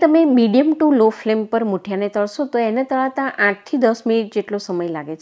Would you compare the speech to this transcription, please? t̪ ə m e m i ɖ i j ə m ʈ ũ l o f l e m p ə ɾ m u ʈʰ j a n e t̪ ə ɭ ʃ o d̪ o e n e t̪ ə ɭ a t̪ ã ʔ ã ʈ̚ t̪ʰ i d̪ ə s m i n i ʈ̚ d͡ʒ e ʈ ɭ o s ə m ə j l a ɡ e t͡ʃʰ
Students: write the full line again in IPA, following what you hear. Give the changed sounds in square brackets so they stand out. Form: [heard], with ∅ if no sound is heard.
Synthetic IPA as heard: t̪ ə m e m i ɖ i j ə m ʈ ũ l o f l e m p ə ɾ m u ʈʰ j a n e t̪ ə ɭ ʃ o [t̪] o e n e t̪ ə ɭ a t̪ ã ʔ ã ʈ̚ t̪ʰ i d̪ ə s m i n i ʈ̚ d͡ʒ e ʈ [l] o s ə m ə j l a ɡ e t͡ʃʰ